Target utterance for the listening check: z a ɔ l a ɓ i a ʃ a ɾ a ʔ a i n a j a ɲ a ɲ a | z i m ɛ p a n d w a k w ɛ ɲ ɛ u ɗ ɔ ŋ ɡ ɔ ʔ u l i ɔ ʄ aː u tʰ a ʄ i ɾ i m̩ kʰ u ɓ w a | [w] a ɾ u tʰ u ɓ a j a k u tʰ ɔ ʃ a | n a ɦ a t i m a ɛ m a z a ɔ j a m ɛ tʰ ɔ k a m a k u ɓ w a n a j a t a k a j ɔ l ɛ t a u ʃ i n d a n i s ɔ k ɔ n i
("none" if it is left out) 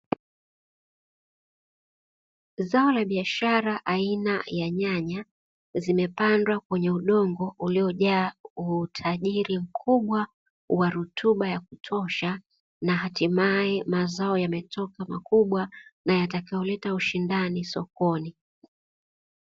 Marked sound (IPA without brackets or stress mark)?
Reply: w